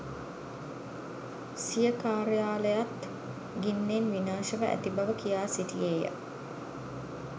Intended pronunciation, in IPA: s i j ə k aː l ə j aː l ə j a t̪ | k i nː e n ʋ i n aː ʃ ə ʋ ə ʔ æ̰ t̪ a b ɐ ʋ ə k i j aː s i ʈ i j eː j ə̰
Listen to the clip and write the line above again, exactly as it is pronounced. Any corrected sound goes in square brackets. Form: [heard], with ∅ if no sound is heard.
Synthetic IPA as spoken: s i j ə k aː [ɾ] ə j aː l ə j a t̪ | [ɡ] i nː e n ʋ i n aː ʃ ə ʋ ə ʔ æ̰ t̪ [i] b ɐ ʋ ə k i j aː s i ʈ i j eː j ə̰